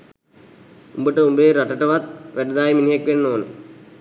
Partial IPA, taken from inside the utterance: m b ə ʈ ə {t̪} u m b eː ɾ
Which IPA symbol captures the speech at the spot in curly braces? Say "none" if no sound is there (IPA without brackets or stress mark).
none